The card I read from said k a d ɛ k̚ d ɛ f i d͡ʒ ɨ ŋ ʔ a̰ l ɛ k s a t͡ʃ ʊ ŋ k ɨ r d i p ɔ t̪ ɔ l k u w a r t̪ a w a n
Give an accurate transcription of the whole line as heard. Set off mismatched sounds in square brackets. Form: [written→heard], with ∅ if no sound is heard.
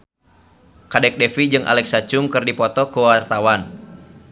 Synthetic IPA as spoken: k a d ɛ k̚ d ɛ f i d͡ʒ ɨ ŋ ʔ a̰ l ɛ k s a t͡ʃ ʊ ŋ k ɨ r d i p ɔ t̪ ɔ [l→∅] k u w a r t̪ a w a n

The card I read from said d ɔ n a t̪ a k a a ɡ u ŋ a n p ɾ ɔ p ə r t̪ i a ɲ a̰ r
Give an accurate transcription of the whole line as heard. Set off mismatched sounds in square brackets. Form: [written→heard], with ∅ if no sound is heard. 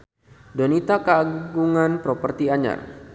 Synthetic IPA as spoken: d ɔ n [a→i] t̪ a k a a ɡ u ŋ a n p ɾ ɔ p ə r t̪ i a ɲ a̰ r

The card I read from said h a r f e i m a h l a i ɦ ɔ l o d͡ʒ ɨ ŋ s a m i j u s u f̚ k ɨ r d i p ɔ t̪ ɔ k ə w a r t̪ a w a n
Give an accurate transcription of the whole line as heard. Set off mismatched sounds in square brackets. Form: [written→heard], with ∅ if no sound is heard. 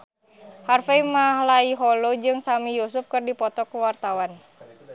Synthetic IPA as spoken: h a r f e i m a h l a i ɦ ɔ l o d͡ʒ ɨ ŋ s a m i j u s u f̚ k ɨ r d i p ɔ t̪ ɔ k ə w a r t̪ a w a n

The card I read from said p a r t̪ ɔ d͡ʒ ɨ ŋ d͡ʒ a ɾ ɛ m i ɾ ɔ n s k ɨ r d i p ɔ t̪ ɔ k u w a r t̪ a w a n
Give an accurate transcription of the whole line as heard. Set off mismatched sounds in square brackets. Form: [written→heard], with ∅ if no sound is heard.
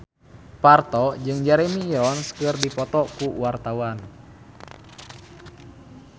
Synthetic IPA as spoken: p a r t̪ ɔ d͡ʒ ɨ ŋ d͡ʒ a ɾ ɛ m i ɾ ɔ n s k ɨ r d i p ɔ t̪ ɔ k u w a r t̪ a w a n

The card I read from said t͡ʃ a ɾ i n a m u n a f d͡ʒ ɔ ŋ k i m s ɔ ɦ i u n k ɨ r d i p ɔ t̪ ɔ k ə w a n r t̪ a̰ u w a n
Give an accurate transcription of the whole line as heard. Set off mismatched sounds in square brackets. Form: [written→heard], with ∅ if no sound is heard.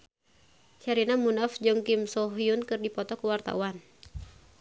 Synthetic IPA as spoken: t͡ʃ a ɾ i n a m u n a f d͡ʒ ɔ ŋ k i m s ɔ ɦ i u n k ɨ r d i p ɔ t̪ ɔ k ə w a [n→∅] r t̪ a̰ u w a n

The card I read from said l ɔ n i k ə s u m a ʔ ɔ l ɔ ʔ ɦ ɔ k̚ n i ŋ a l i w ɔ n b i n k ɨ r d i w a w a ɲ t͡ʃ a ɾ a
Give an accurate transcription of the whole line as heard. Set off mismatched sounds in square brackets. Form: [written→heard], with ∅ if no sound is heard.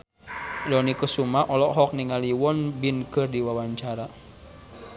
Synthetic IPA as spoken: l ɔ n i k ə s u m a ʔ ɔ l ɔ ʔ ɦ ɔ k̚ n i ŋ a l i w ɔ n b i n k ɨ r d i w a w a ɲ t͡ʃ a ɾ a

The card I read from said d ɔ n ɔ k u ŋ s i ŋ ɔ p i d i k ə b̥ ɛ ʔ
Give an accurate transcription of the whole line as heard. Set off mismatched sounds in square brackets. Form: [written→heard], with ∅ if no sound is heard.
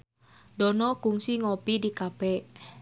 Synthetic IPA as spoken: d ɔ n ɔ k u ŋ s i ŋ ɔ p i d i k [ə→a] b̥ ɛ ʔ

